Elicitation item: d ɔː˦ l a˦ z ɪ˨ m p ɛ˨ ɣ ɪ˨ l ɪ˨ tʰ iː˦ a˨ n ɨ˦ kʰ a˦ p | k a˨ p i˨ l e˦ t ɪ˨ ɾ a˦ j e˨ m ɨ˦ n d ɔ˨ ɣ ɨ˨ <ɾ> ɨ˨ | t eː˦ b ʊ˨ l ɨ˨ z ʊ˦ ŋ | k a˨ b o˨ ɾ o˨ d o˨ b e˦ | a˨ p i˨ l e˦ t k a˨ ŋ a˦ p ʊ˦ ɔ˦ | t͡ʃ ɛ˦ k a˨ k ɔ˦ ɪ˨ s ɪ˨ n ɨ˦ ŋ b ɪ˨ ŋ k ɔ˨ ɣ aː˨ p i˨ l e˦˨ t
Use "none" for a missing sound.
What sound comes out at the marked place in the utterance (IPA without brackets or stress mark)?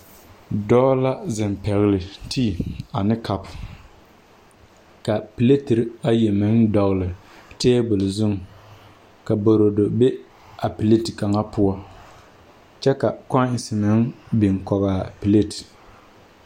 l